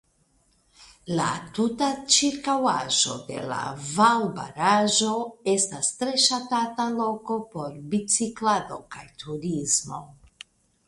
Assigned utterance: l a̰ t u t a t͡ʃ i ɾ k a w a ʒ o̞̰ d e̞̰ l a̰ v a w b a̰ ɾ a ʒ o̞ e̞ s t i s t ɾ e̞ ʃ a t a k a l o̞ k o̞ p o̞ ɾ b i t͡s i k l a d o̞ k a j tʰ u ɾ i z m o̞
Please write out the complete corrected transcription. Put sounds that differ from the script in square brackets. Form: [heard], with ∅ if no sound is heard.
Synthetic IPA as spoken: l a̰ t u t a t͡ʃ i ɾ k a w a ʒ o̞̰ d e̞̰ l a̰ v a w b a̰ ɾ a ʒ o̞ e̞ s t [a] s t ɾ e̞ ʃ a t a [t] a l o̞ k o̞ p o̞ ɾ b i t͡s i k l a d o̞ k a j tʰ u ɾ i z m o̞